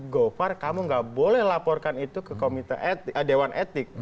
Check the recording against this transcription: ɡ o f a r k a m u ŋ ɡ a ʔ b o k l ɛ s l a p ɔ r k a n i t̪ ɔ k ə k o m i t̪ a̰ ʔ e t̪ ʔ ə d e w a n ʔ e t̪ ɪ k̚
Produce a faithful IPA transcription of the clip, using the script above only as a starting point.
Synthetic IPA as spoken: ɡ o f a r k a m u ŋ ɡ a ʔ b o l ɛ h l a p ɔ r k a n i t̪ u k ə k o m i t̪ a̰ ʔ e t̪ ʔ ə d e w a n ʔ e t̪ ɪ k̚